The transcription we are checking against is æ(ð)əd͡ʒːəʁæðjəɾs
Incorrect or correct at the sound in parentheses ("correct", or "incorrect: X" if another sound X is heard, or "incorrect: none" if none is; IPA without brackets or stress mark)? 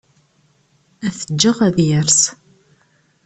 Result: incorrect: θ